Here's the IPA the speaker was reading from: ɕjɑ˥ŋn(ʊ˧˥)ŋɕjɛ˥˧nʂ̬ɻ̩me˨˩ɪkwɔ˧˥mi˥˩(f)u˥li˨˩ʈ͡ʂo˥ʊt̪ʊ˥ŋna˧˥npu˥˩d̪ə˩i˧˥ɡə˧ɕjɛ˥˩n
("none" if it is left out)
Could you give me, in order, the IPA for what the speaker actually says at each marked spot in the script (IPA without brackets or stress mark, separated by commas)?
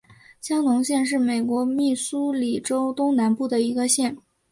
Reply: ʊ˧˥, s